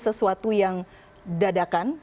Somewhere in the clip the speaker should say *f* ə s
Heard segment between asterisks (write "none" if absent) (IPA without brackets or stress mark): s